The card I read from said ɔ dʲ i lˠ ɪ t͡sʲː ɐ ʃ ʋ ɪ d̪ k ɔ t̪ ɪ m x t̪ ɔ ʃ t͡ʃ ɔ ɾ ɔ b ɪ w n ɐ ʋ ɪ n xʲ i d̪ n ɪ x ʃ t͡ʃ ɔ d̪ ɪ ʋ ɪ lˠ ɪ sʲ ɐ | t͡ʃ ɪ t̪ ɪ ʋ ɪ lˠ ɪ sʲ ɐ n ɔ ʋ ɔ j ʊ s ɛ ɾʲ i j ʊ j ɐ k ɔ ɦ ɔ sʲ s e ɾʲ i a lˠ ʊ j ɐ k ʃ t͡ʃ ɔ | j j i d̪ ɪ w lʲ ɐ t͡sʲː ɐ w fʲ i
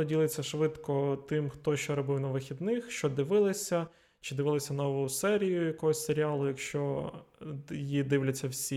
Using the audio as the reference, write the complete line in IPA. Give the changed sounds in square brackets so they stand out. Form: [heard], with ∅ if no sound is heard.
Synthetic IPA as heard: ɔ dʲ i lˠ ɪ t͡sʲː ɐ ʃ ʋ ɪ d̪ k ɔ t̪ ɪ m x t̪ ɔ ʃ t͡ʃ ɔ ɾ ɔ b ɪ w n ɐ ʋ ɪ [∅] xʲ i d̪ n ɪ x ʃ t͡ʃ ɔ d̪ ɪ ʋ ɪ lˠ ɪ sʲ ɐ | t͡ʃ ɪ [d̪] ɪ ʋ ɪ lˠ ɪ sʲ ɐ n ɔ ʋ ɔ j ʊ s ɛ ɾʲ i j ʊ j ɐ k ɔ ɦ ɔ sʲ s e ɾʲ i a lˠ ʊ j ɐ k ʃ t͡ʃ ɔ | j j i d̪ ɪ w lʲ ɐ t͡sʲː ɐ w [sʲ] i